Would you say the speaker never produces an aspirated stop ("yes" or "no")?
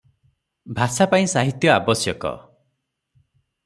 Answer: yes